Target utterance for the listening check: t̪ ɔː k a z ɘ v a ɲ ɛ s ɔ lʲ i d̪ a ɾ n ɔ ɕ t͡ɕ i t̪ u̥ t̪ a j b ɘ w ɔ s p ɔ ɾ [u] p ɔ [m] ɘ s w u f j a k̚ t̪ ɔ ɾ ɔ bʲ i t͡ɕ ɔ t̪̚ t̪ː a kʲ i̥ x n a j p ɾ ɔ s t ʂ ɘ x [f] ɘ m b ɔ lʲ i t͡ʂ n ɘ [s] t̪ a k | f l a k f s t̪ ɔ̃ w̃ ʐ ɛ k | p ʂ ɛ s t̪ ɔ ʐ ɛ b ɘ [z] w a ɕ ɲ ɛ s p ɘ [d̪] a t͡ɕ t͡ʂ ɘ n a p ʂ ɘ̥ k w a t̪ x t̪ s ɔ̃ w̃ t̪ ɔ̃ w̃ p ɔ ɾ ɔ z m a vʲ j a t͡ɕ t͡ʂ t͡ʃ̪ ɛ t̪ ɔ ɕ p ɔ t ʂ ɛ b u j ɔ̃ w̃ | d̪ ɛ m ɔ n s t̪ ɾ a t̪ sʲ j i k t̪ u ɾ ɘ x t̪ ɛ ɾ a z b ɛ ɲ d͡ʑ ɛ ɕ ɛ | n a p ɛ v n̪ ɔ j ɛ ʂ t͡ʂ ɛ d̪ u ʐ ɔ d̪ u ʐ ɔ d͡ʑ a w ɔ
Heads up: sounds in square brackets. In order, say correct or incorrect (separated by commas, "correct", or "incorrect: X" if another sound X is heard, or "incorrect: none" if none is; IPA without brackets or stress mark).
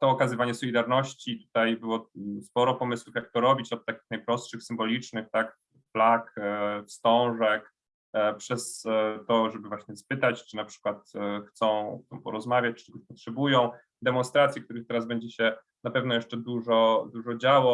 incorrect: ɔ, correct, incorrect: s, incorrect: x, incorrect: v, incorrect: t̪